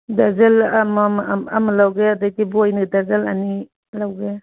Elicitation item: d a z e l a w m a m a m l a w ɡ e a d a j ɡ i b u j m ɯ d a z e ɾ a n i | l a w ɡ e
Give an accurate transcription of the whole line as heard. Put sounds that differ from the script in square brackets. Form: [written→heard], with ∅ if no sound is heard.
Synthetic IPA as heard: d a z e l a [w→∅] m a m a m l a w ɡ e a d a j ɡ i b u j [m→n] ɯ d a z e [ɾ→l] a n i | l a w ɡ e